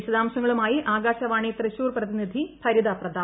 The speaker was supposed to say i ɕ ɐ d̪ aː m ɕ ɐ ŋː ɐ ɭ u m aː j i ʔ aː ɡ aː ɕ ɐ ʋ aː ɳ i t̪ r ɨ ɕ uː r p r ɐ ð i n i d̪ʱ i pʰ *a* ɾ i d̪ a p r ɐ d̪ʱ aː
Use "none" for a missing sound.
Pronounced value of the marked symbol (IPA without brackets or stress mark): ɐ